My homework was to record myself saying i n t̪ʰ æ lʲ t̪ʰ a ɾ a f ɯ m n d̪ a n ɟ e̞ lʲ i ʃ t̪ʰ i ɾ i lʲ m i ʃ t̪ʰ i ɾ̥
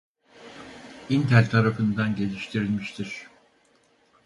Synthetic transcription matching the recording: i n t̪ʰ æ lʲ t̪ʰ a ɾ a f ɯ n d̪ a n ɟ e̞ lʲ i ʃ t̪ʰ i ɾ i lʲ m i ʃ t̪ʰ i ɾ̥